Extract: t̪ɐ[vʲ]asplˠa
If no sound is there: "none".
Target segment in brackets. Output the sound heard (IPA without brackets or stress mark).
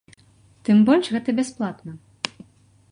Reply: bʲ